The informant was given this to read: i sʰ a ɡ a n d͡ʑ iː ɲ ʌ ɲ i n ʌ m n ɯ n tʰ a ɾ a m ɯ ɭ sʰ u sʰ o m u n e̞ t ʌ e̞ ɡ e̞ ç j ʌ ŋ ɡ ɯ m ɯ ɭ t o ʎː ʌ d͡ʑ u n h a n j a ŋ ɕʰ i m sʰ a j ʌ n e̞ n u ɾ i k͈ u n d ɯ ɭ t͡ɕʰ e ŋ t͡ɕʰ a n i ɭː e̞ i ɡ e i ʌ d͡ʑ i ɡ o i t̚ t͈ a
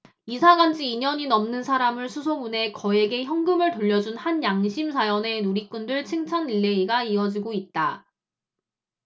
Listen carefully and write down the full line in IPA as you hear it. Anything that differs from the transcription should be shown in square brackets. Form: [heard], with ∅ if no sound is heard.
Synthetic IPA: i sʰ a ɡ a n d͡ʑ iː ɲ ʌ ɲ i n ʌ m n ɯ n [sʰ] a ɾ a m ɯ ɭ sʰ u sʰ o m u n e̞ [k] ʌ e̞ ɡ e̞ ç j ʌ ŋ ɡ ɯ m ɯ ɭ t o ʎː ʌ d͡ʑ u n h a n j a ŋ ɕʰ i m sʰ a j ʌ n e̞ n u ɾ i k͈ u n d ɯ ɭ t͡ɕʰ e ŋ t͡ɕʰ a n i ɭː e̞ i ɡ [a] i ʌ d͡ʑ i ɡ o i t̚ t͈ a